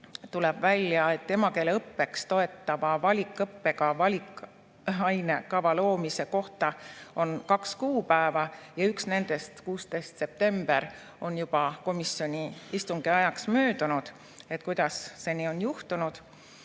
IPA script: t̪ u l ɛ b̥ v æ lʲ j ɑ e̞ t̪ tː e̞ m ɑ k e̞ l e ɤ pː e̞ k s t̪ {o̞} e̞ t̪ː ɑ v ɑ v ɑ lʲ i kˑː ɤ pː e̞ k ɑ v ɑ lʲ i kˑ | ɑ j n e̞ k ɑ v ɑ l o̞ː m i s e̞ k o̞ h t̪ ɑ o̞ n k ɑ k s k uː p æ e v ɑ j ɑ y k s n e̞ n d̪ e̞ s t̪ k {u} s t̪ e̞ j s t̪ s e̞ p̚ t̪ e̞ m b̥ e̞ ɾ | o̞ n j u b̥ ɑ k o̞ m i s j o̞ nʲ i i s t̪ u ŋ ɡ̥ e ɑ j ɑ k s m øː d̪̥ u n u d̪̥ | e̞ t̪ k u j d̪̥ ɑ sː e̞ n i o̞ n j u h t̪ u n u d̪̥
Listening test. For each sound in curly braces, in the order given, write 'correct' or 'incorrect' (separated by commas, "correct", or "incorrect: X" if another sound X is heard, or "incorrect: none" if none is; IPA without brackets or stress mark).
correct, incorrect: uː